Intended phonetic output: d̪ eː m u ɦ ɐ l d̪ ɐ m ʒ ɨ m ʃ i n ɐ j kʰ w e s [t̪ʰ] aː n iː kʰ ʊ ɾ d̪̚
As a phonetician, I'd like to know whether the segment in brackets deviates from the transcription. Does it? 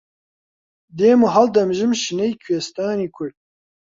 yes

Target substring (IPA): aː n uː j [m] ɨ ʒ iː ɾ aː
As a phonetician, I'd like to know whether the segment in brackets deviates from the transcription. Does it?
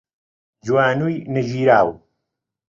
yes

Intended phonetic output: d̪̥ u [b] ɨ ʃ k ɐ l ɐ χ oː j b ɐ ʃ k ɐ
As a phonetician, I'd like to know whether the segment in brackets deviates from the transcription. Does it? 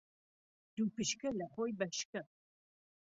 yes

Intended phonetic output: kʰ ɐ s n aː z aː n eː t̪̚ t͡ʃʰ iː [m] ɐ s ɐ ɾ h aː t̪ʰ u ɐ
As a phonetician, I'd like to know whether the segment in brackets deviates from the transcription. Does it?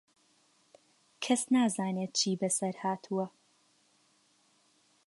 yes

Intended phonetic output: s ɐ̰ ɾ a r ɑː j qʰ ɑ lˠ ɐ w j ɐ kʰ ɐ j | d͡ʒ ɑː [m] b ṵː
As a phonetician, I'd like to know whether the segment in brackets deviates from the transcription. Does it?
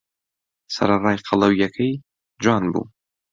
yes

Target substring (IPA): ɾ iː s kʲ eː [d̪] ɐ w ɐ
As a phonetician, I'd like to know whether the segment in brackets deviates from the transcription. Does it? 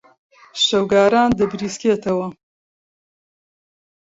yes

